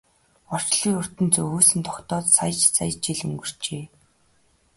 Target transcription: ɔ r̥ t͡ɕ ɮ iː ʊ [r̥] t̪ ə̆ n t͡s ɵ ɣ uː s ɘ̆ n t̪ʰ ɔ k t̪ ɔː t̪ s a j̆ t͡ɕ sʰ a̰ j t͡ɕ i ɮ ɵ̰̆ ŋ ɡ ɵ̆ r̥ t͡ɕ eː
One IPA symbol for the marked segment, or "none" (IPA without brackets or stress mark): r̥